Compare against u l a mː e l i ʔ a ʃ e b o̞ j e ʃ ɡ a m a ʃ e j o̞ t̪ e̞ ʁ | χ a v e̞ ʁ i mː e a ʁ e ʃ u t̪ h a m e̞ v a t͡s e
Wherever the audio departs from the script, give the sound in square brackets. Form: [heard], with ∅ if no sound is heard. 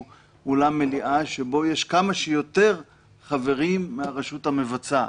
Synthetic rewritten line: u l a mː e l i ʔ a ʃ e b o̞ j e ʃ [k] a m a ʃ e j o̞ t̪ e̞ ʁ | χ a v e̞ ʁ i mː e a ʁ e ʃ u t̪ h a m e̞ v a t͡s [a]